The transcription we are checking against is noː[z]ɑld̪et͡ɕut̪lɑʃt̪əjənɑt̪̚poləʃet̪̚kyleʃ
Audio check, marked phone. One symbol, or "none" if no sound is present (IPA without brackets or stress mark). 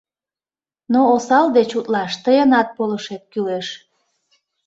s